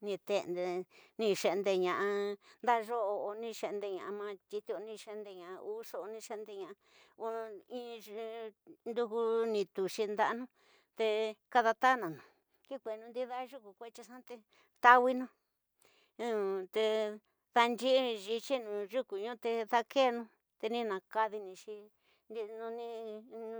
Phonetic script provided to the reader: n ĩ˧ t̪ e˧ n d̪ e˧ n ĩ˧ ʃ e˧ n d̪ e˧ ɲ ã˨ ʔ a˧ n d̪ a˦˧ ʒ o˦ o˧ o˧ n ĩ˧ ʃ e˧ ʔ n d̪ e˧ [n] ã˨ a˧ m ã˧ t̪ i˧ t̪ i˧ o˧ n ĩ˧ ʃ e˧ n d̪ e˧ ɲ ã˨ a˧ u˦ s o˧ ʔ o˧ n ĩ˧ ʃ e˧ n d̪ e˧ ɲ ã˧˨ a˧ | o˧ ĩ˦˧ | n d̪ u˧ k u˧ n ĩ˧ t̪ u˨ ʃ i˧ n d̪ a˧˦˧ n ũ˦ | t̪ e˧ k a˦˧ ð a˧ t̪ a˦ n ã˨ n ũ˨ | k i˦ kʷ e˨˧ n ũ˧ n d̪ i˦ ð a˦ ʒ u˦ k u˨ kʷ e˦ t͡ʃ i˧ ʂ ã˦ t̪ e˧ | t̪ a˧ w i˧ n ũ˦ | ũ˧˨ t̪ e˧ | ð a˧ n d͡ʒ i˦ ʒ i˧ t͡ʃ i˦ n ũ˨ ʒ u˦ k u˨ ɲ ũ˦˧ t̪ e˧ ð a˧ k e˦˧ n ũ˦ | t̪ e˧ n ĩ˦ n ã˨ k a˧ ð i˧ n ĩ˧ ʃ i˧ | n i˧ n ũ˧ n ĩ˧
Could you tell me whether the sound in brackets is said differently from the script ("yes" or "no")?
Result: yes